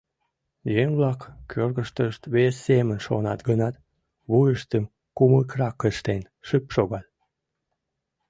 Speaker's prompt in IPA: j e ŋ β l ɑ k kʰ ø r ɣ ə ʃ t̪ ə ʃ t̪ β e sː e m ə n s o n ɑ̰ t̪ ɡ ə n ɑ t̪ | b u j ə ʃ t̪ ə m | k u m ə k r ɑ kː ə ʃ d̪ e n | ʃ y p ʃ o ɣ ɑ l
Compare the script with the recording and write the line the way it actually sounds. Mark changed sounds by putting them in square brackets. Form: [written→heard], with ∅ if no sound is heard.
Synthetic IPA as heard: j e ŋ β l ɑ k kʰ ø r ɣ ə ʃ t̪ ə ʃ t̪ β e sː e m ə n [s→ʃ] o n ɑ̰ t̪ ɡ ə n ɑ t̪ | [b→β] u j ə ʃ t̪ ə m | k u m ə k r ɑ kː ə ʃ [d̪→t̪] e n | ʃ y p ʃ o ɣ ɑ l